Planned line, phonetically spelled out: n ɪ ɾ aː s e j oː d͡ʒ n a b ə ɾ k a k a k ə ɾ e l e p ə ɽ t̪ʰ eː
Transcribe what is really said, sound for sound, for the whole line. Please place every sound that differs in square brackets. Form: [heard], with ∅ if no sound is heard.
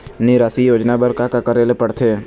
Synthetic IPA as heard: n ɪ ɾ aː s [i] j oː d͡ʒ n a b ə ɾ k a k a k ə ɾ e l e p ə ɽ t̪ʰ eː